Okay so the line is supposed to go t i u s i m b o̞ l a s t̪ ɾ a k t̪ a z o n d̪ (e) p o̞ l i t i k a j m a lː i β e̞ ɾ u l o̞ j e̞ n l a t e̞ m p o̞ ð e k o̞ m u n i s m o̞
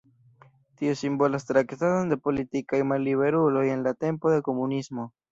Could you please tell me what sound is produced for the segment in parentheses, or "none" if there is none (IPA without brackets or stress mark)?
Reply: e